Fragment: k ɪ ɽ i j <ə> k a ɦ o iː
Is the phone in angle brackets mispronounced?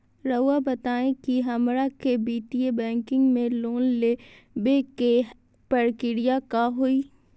yes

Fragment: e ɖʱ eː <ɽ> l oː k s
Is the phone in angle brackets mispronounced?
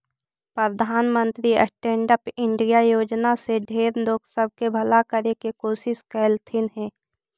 yes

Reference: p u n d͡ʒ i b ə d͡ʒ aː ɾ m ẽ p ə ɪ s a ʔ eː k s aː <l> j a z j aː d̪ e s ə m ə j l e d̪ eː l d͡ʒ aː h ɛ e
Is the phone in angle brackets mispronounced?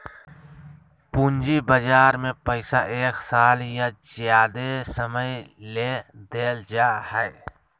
no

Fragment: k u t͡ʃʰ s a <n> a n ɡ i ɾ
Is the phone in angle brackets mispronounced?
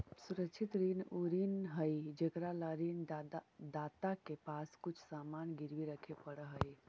yes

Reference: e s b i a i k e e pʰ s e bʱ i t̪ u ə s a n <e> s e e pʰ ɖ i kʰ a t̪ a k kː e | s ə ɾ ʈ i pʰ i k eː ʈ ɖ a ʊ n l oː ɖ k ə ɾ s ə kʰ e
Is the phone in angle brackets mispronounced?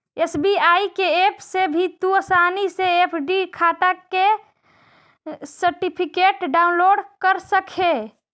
yes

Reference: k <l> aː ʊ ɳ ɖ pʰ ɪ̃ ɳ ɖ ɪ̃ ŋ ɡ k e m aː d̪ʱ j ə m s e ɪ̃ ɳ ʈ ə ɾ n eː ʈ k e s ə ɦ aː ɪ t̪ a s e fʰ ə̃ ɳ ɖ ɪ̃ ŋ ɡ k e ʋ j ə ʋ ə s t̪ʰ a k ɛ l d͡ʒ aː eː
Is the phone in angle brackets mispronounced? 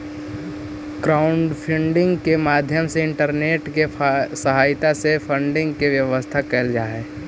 yes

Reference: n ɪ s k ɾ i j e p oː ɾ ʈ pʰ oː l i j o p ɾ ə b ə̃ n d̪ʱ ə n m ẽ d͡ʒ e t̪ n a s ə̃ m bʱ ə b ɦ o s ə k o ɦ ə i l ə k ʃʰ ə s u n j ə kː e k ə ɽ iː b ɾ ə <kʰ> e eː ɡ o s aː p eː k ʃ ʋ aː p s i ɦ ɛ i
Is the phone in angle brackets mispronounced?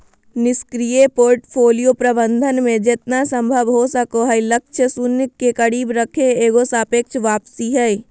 no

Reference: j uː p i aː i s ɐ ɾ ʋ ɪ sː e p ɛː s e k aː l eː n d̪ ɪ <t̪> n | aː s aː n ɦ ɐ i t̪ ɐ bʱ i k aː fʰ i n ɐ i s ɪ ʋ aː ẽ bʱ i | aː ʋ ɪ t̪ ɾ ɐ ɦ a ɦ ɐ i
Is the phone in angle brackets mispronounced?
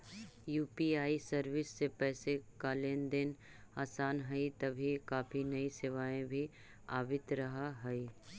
yes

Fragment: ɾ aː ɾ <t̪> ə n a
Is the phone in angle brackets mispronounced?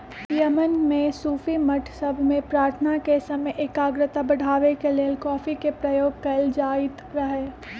yes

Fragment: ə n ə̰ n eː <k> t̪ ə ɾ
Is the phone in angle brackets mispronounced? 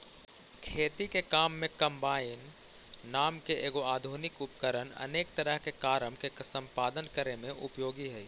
no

